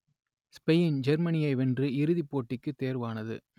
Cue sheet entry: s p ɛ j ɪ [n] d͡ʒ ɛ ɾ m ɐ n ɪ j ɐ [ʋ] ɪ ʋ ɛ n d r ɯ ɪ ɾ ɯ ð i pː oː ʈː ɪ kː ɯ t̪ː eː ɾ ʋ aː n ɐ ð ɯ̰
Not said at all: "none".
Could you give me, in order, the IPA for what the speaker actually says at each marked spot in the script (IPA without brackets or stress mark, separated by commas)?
n, none